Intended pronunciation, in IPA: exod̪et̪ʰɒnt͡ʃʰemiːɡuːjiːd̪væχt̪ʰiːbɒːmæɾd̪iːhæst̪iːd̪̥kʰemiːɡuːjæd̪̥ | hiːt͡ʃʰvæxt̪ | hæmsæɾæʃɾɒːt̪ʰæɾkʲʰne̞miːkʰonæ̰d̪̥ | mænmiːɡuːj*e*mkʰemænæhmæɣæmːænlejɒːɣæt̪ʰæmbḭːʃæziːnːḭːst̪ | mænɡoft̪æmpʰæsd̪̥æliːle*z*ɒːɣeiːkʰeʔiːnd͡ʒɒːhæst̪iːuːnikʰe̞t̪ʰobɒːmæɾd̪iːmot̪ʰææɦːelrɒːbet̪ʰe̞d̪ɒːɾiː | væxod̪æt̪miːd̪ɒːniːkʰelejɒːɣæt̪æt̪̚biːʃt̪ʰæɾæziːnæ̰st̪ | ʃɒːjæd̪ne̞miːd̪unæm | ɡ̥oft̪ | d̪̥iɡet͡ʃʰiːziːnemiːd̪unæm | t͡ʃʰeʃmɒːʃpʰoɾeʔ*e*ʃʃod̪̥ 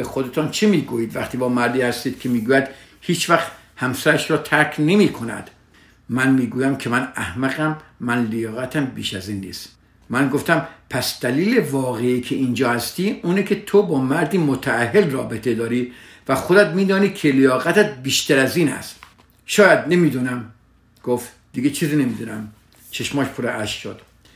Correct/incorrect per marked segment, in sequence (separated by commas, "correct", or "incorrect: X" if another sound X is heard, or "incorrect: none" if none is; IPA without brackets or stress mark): incorrect: æ, incorrect: v, incorrect: æ